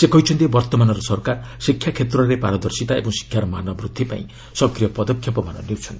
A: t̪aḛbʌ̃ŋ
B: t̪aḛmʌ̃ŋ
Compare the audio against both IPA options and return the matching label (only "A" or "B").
A